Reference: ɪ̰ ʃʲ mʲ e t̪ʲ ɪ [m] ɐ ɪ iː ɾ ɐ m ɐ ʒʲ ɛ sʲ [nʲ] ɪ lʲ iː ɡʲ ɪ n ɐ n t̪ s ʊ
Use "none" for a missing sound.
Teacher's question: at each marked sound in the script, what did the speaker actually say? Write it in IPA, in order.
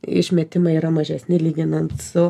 m, nʲ

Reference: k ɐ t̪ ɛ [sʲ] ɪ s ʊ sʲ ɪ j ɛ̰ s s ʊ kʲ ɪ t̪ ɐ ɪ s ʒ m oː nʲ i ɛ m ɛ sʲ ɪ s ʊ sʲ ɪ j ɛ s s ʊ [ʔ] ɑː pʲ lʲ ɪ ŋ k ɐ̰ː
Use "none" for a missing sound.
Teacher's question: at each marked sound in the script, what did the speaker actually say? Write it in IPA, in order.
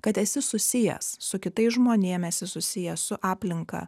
sʲ, ʔ

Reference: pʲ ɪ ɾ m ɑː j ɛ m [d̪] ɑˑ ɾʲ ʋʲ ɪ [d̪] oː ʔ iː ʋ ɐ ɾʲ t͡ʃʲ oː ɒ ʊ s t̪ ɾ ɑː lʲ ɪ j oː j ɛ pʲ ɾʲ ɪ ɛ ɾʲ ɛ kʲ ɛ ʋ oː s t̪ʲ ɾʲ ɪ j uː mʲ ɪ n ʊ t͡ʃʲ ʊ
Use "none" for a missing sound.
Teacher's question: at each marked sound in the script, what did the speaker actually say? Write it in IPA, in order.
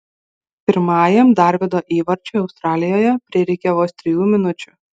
d̪, d̪

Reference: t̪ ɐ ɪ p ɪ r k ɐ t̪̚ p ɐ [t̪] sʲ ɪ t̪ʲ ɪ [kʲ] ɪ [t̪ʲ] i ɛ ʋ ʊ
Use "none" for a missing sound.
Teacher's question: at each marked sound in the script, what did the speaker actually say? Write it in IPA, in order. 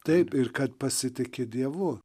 none, kʲ, d̪ʲ

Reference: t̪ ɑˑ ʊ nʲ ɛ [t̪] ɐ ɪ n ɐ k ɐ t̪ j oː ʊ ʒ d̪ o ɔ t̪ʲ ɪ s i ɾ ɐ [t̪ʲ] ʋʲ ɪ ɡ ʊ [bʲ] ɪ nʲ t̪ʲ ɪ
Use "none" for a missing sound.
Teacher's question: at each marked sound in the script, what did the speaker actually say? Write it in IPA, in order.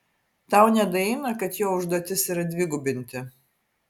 d̪, d̪ʲ, bʲ

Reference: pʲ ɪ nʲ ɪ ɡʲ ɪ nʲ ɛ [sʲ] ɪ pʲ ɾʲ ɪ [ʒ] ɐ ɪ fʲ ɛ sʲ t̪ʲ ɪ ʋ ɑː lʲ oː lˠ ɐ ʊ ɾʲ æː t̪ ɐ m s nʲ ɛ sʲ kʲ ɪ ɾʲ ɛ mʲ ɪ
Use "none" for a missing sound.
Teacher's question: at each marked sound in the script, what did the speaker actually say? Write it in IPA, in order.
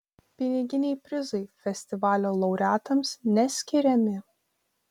none, z

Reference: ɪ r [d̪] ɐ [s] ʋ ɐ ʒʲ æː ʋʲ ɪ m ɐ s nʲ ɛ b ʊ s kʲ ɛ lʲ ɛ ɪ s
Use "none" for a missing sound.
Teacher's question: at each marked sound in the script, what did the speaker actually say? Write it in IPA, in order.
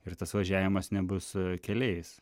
t̪, s

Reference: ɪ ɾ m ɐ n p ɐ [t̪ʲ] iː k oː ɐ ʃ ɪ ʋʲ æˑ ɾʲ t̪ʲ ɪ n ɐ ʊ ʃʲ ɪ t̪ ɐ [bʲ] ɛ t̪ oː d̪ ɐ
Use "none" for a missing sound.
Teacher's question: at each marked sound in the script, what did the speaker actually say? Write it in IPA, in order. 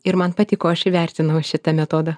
t̪ʲ, mʲ

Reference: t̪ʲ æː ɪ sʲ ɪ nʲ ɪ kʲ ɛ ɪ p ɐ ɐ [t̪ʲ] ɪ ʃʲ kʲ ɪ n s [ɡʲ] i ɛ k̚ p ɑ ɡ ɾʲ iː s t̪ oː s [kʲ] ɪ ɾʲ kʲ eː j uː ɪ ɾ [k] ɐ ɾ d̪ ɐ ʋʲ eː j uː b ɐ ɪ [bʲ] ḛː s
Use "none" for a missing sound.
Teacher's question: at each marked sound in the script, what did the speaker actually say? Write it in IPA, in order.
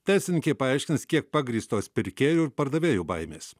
none, kʲ, pʲ, p, mʲ

